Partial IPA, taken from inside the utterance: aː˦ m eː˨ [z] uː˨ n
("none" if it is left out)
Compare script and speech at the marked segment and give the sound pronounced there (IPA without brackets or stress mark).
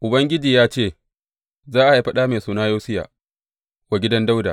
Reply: s